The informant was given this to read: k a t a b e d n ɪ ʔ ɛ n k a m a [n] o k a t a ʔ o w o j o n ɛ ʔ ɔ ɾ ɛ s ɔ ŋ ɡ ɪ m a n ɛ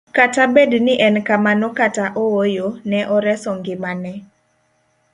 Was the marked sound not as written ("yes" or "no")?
no